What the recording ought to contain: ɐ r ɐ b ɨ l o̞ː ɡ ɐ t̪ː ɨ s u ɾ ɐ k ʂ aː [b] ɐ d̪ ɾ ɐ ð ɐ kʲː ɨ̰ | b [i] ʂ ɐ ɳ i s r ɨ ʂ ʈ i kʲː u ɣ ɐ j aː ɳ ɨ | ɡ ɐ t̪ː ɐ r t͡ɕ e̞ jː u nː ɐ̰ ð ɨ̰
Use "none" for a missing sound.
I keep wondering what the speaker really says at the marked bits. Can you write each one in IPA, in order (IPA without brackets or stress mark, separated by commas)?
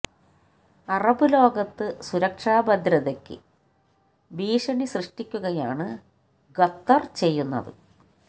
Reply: b, iː